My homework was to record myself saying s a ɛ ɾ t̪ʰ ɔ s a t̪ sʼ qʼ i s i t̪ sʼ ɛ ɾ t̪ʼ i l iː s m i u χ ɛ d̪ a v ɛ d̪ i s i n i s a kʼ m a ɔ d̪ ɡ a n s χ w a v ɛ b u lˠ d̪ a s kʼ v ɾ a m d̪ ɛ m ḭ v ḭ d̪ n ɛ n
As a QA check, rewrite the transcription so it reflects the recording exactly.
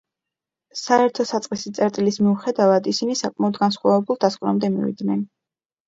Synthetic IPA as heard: s a ɛ ɾ t̪ʰ ɔ s a t̪ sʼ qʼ i s i t̪ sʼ ɛ ɾ t̪ʼ i l i s m i u χ ɛ d̪ a v a d̪ i s i n i s a kʼ m a ɔ d̪ ɡ a n s χ w a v ɛ b u lˠ d̪ a s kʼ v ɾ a m d̪ ɛ m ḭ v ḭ d̪ n ɛ n